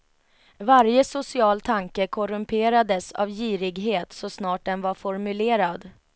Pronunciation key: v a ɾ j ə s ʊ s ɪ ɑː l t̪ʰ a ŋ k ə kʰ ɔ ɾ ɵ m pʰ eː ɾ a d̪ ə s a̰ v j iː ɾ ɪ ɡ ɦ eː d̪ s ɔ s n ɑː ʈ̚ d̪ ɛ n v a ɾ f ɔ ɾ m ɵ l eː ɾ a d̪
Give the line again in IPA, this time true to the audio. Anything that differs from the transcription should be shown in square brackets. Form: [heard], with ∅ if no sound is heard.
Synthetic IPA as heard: v a ɾ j ə s ʊ s ɪ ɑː l t̪ʰ a ŋ k ə kʰ ɔ ɾ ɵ m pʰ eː ɾ a d̪ ə s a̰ v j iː ɾ ɪ ɡ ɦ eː [t̪] s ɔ s n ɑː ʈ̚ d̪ ɛ n v a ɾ f ɔ ɾ m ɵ l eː ɾ a d̪

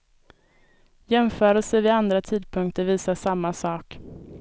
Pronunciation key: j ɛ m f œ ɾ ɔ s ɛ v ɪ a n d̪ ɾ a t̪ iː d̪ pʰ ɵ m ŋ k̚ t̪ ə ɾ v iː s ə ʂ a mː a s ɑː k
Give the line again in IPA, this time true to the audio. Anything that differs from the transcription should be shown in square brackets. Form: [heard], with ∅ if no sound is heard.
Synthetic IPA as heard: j ɛ m f [œː] ɾ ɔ s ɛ v ɪ a n d̪ ɾ a [t̪ʰ] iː d̪ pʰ ɵ [∅] ŋ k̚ t̪ ə ɾ v iː s [a] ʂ a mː a s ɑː k

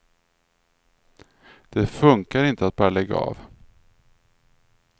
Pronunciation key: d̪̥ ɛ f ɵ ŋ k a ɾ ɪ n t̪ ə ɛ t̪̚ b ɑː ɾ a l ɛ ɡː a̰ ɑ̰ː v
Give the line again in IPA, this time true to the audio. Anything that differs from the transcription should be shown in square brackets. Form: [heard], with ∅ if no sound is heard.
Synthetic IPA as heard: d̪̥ ɛ f ɵ ŋ k a ɾ ɪ n t̪ ə [a] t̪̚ b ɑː ɾ a l ɛ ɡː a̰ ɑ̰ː v

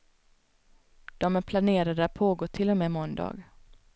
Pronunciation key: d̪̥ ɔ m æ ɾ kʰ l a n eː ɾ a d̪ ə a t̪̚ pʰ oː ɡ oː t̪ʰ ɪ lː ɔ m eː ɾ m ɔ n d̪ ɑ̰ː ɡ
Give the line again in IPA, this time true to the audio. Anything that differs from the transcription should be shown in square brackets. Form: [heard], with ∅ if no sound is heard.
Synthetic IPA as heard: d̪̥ ɔ m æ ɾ [pʰ] l a n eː ɾ a d̪ ə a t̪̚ pʰ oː ɡ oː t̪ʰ ɪ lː ɔ m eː [∅] m ɔ n d̪ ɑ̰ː ɡ

